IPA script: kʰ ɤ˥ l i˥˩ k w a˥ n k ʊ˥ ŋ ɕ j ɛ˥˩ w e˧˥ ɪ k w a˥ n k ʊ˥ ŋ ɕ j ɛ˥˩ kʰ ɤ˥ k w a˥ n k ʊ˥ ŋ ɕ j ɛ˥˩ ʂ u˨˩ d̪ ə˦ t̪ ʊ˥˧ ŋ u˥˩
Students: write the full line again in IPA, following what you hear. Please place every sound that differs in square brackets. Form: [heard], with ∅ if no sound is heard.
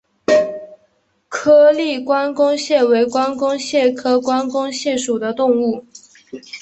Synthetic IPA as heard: kʰ ɤ˥ l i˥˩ k w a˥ n k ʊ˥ ŋ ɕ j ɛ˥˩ w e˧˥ ɪ k w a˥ n k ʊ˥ ŋ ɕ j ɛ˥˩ kʰ ɤ˥ k w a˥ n k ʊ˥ ŋ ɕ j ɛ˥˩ ʂ u˨˩ d̪ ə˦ t̪ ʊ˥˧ ŋ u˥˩

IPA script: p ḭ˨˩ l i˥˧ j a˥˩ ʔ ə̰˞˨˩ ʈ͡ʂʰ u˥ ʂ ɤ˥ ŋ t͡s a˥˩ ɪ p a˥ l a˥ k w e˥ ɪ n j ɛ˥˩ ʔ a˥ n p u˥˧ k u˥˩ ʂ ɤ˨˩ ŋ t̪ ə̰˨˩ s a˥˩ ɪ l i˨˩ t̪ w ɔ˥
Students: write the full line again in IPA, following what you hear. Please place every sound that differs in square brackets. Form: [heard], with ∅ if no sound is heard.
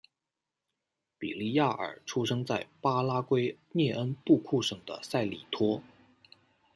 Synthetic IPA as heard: p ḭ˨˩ l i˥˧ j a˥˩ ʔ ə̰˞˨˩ ʈ͡ʂʰ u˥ ʂ ɤ˥ ŋ t͡s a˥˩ ɪ p a˥ l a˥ k w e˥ ɪ n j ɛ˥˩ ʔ [ə˥] n p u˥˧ [kʰ] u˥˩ ʂ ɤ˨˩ ŋ [d̪] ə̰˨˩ s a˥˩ ɪ l i˨˩ [t̪ʰ] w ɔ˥

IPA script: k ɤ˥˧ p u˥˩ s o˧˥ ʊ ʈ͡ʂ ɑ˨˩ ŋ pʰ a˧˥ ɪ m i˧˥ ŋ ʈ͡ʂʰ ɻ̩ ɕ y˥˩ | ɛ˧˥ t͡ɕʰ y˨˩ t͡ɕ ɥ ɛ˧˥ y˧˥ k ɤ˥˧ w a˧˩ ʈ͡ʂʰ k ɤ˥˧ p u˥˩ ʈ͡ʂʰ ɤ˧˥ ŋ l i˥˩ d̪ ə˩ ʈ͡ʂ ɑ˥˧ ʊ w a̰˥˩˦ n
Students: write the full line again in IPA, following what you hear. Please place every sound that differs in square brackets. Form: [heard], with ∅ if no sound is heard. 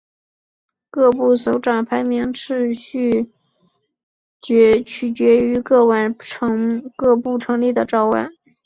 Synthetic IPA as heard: k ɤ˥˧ p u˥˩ s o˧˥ ʊ ʈ͡ʂ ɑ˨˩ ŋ pʰ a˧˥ ɪ m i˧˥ ŋ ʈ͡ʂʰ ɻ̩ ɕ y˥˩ | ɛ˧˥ t͡ɕʰ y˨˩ t͡ɕ ɥ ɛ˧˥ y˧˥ k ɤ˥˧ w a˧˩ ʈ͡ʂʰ k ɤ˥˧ p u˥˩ ʈ͡ʂʰ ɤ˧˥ ŋ l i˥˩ d̪ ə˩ ʈ͡ʂ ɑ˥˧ ʊ w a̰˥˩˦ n

